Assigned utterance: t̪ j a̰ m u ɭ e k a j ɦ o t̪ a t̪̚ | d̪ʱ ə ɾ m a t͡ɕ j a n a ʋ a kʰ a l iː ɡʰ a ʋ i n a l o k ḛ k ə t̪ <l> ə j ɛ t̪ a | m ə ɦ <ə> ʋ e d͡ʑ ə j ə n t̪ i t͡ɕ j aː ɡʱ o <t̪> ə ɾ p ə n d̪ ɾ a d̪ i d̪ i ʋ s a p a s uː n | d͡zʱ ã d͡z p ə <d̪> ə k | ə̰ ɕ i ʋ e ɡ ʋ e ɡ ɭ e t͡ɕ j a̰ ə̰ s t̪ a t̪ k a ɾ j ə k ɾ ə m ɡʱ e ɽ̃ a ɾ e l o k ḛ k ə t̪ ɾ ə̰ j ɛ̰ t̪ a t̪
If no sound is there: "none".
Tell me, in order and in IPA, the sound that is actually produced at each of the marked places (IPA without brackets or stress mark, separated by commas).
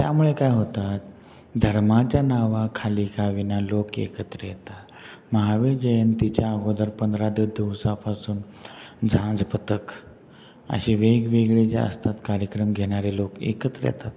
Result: ɾ, a, d̪, t̪